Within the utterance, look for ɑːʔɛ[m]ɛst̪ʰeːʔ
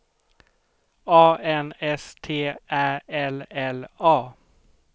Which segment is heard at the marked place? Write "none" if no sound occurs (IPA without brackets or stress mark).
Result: n